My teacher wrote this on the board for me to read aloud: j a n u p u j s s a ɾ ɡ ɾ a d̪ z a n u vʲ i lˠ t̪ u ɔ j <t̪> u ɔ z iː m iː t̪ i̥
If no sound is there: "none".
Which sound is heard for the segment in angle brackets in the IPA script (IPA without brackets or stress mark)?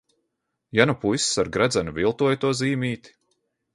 t̪